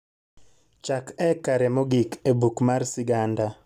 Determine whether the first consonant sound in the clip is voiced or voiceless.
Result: voiceless